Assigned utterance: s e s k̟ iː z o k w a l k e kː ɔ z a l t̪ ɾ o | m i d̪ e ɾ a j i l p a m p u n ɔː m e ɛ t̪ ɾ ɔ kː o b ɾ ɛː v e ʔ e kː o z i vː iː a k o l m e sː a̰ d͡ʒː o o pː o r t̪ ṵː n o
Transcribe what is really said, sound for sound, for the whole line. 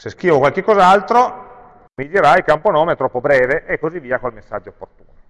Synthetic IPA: s e s k̟ iː v o k w a l k e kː ɔ z a l t̪ ɾ o | m i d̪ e ɾ a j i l k a m p o n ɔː m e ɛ t̪ ɾ ɔ pː o b ɾ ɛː v e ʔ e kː o z i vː iː a k o l m e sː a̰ d͡ʒː o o pː o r t̪ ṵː n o